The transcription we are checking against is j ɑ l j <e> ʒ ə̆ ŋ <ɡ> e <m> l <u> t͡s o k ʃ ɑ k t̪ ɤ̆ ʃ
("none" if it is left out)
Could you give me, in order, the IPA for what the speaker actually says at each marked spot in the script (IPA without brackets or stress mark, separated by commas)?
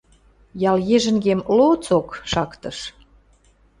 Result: e, ɡ, m, o